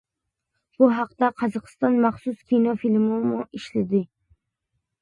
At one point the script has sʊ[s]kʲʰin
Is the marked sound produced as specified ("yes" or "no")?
yes